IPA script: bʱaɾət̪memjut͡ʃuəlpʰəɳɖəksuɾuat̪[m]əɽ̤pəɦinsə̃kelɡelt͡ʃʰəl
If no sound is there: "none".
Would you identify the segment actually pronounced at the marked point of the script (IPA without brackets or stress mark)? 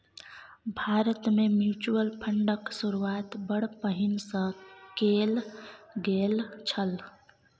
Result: b